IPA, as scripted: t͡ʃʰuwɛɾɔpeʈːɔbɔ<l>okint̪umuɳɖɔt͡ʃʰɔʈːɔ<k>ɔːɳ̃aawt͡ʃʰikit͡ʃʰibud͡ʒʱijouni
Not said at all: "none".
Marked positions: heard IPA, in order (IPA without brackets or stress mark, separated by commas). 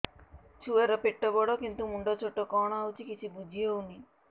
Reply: ɽ, k